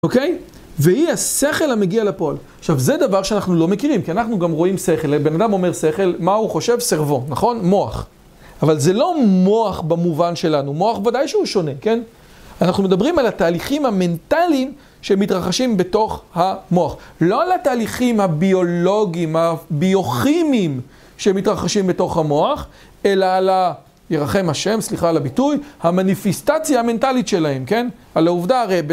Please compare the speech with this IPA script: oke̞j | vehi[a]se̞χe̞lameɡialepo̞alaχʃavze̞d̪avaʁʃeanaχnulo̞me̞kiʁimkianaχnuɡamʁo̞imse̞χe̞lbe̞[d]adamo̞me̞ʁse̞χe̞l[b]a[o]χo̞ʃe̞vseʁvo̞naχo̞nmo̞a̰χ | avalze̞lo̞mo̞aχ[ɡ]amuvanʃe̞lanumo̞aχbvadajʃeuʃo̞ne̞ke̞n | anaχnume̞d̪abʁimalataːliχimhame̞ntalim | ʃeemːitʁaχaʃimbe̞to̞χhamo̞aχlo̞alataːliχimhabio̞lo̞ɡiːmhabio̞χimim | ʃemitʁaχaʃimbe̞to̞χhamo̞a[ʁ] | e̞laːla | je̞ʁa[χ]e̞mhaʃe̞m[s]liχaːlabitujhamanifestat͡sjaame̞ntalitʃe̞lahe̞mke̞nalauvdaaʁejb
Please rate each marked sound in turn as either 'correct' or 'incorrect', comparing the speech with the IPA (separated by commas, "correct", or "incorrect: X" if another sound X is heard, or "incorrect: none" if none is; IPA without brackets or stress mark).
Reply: correct, incorrect: n, incorrect: m, incorrect: u, incorrect: b, incorrect: χ, correct, correct